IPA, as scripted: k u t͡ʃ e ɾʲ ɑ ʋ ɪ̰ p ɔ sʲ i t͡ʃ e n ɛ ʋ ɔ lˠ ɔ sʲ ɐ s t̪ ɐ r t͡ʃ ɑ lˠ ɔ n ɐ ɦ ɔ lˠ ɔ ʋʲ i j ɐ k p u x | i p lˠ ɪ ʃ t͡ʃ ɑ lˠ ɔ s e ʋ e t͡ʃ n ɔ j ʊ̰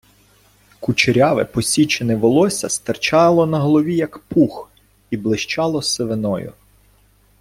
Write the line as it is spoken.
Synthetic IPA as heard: k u t͡ʃ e ɾʲ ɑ ʋ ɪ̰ p ɔ sʲ i t͡ʃ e n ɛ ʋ ɔ lˠ ɔ sʲ ɐ s t̪ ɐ r t͡ʃ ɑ lˠ ɔ n ɐ ɦ ɔ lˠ ɔ ʋʲ i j ɐ k p u x | i b lˠ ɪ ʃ t͡ʃ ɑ lˠ ɔ s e ʋ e n ɔ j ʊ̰